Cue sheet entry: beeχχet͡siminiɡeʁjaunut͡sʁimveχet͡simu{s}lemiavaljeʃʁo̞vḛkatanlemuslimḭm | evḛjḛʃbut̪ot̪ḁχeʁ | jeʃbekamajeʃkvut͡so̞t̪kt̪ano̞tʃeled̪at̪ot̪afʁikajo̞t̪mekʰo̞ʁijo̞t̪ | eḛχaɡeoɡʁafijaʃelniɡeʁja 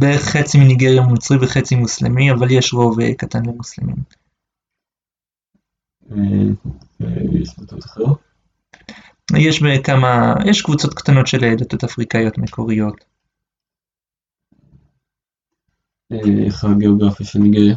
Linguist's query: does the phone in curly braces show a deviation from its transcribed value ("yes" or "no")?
no